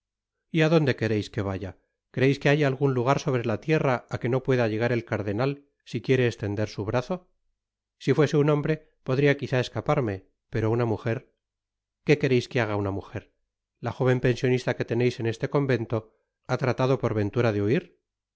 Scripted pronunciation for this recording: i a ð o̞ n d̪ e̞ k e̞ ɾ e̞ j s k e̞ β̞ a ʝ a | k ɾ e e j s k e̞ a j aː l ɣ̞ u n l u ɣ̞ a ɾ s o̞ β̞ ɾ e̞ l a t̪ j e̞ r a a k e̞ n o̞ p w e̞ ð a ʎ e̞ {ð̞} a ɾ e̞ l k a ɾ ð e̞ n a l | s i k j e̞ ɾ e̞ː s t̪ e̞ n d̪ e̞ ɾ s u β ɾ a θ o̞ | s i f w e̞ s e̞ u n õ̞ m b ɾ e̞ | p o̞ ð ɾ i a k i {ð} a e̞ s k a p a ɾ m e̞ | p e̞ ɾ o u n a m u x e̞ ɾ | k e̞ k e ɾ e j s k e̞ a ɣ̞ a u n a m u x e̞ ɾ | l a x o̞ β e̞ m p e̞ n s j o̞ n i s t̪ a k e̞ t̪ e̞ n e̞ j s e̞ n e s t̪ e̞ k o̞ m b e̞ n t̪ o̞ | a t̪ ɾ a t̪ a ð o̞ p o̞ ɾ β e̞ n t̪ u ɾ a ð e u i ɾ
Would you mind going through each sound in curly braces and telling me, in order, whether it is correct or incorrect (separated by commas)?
incorrect, incorrect